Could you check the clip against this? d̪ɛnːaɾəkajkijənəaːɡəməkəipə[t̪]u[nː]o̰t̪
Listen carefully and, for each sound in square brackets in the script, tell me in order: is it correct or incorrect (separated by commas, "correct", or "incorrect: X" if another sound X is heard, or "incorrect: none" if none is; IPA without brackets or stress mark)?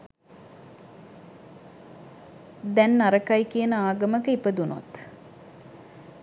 incorrect: d̪, incorrect: n